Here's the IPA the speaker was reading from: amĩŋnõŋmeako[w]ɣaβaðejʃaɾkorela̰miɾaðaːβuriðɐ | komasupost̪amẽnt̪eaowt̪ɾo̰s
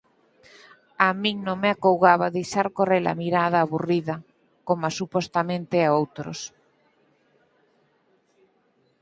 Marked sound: correct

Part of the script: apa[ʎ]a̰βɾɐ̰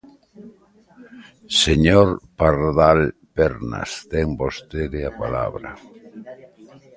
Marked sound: incorrect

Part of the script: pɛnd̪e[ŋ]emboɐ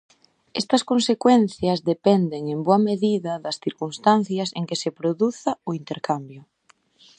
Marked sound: correct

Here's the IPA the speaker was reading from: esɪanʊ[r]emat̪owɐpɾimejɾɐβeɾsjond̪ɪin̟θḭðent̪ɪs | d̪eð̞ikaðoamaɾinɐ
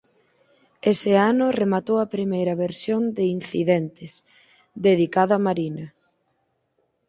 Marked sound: correct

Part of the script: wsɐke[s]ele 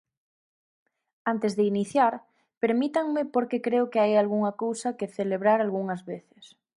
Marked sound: incorrect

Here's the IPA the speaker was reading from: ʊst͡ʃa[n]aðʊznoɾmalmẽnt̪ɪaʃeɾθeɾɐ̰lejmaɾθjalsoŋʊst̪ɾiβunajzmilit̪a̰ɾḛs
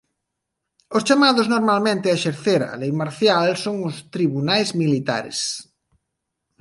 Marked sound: incorrect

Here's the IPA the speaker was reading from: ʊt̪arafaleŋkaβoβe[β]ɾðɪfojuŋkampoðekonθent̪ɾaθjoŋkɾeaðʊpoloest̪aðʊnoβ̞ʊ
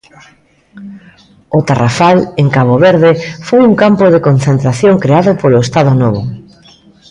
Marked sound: incorrect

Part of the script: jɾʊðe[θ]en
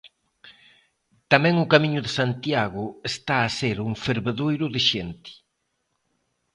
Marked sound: incorrect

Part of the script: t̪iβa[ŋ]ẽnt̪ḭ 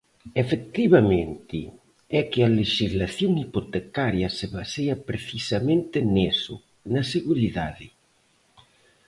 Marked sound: incorrect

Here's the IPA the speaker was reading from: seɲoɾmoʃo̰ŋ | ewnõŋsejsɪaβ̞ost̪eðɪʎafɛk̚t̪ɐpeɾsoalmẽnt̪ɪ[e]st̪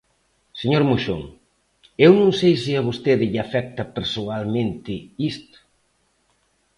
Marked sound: incorrect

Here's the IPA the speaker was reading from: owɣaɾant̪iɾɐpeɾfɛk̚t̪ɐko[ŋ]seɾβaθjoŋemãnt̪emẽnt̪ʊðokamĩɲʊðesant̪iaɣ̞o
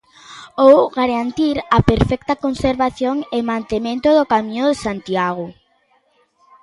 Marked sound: incorrect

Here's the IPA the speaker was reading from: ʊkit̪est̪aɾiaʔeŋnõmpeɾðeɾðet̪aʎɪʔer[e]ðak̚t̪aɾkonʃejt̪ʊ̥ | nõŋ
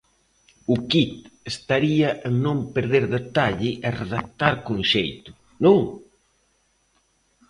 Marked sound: correct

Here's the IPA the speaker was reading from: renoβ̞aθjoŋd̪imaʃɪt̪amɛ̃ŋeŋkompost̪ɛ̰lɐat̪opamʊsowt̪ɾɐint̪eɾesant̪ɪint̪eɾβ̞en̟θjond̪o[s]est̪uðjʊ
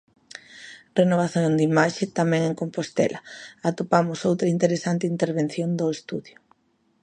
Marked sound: incorrect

